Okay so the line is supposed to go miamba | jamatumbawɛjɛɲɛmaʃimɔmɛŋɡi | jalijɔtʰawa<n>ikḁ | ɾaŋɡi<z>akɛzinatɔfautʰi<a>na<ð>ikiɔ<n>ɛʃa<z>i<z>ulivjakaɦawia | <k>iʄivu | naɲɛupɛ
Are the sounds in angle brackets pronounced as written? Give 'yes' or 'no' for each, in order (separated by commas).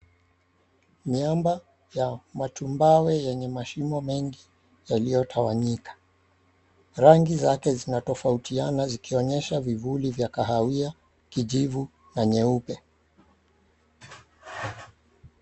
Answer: no, yes, yes, no, no, no, no, yes